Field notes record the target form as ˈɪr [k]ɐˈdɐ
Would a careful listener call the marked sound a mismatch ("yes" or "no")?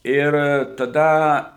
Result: yes